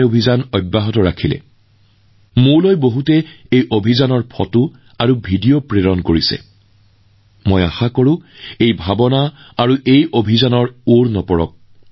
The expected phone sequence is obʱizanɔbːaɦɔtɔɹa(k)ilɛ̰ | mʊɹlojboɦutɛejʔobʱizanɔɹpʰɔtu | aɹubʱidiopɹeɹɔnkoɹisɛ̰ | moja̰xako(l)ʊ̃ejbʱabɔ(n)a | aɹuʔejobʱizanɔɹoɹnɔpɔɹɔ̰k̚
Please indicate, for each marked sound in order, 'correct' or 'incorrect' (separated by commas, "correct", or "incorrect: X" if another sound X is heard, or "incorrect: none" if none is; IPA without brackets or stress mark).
incorrect: kʰ, incorrect: ɹ, correct